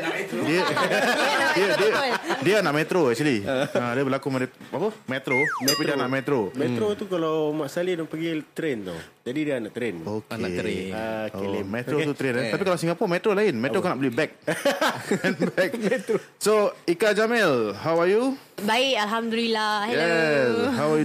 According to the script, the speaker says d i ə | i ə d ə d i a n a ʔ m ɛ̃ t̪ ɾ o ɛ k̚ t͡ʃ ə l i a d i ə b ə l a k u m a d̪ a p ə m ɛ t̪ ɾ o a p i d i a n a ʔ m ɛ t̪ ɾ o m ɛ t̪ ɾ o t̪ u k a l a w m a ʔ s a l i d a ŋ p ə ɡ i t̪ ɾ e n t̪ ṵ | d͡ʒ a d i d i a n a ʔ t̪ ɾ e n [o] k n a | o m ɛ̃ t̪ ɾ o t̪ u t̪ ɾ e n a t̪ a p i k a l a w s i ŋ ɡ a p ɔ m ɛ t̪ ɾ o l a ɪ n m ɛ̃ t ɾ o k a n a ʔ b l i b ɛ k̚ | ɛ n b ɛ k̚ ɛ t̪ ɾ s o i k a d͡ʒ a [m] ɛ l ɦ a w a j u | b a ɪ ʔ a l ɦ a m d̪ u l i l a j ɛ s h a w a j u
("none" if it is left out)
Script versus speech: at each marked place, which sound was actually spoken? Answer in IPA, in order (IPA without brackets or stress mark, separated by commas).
o, m